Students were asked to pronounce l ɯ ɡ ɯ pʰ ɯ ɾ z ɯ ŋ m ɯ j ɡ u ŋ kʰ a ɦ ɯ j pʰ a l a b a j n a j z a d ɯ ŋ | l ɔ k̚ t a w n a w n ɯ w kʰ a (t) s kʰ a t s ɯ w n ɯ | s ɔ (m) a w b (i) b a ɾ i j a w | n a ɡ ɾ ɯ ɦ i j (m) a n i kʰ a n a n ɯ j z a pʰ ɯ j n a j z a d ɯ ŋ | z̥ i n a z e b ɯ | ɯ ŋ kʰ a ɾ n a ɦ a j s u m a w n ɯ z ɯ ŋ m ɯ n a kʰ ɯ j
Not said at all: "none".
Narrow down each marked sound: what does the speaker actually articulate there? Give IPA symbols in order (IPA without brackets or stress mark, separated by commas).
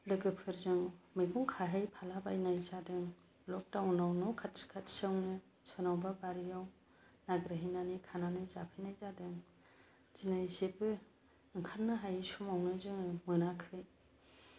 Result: t, n, a, n